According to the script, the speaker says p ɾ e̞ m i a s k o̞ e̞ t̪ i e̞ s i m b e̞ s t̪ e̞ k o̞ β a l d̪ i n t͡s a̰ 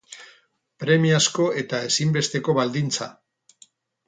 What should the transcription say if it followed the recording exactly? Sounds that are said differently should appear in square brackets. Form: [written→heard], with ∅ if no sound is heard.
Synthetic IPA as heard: p ɾ e̞ m i a s k o̞ e̞ t̪ [i→a] e̞ s i m b e̞ s t̪ e̞ k o̞ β a l d̪ i n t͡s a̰